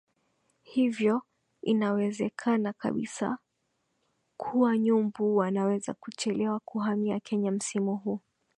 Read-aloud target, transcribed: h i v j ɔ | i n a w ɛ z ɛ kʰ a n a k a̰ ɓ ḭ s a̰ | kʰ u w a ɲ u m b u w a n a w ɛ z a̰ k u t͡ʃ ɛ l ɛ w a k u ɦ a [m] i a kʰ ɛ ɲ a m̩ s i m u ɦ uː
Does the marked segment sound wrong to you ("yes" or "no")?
no